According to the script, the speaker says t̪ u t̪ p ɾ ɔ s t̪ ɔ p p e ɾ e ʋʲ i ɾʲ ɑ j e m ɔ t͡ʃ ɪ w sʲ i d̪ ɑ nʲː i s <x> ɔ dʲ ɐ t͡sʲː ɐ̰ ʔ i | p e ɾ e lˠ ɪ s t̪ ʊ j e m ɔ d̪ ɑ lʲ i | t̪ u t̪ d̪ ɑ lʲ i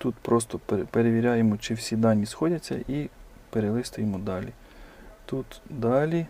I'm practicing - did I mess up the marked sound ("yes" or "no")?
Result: no